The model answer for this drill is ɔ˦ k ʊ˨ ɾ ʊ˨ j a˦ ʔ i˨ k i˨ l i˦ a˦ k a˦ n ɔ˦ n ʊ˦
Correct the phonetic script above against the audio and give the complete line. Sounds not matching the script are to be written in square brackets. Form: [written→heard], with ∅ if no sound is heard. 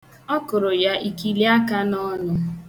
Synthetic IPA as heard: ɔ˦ k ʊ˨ ɾ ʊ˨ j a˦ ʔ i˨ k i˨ l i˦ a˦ k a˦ n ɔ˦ n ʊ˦